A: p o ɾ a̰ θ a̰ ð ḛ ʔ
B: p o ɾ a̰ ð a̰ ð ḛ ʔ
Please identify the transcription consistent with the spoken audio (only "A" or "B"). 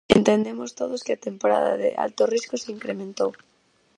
B